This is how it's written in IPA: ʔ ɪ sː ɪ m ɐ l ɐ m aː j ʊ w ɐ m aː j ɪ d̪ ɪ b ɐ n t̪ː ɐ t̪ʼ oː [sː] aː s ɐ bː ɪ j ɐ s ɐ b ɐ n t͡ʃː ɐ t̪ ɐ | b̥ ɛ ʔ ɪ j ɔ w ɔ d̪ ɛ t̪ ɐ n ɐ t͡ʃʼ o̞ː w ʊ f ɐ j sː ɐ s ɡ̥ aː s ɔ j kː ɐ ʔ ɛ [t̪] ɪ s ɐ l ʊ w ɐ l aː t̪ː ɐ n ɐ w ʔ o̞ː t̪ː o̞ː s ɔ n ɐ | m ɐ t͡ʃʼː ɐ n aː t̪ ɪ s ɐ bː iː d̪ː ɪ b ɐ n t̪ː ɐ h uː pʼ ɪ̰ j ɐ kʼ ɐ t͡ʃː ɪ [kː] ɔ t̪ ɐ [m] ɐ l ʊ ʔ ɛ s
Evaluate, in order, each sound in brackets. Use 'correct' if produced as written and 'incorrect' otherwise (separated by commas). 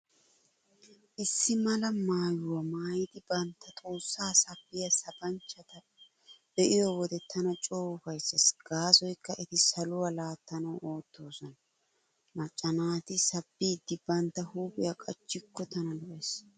correct, correct, correct, incorrect